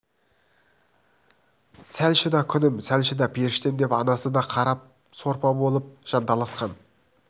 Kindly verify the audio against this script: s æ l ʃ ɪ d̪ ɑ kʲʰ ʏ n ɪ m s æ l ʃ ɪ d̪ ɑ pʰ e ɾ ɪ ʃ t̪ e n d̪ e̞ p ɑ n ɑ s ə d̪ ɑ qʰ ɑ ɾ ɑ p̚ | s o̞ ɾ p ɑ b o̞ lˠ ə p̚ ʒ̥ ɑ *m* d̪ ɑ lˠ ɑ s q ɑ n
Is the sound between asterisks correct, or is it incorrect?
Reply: incorrect